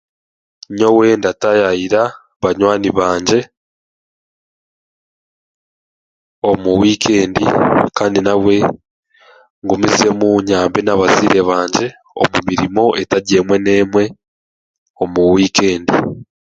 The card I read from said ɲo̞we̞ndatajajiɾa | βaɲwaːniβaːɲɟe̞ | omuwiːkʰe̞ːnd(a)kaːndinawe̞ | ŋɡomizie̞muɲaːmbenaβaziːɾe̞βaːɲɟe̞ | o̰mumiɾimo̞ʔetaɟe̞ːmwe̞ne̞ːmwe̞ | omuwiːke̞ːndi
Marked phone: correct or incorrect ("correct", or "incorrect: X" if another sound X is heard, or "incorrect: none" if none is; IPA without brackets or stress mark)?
incorrect: i